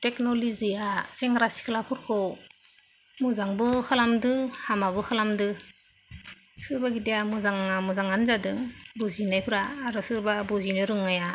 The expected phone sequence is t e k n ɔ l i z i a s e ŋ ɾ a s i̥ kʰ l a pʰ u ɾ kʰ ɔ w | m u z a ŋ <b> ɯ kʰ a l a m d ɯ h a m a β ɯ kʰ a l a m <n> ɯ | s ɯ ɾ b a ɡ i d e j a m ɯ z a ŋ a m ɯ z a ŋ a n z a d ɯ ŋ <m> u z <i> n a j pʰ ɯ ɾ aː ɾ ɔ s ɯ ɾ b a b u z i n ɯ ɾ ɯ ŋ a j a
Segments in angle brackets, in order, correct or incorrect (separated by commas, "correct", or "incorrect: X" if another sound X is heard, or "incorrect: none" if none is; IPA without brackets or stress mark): correct, incorrect: d, incorrect: b, correct